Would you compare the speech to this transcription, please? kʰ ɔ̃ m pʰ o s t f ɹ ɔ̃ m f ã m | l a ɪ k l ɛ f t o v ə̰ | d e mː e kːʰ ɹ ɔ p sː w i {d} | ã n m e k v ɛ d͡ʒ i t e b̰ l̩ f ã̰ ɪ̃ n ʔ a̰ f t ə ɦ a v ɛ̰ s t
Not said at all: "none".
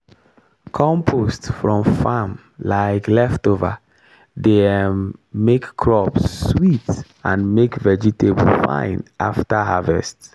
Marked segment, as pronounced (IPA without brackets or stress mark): t